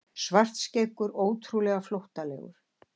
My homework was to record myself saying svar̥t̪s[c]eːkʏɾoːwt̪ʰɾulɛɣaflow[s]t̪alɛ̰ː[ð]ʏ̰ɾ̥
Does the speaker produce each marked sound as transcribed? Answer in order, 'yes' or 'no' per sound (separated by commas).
yes, no, no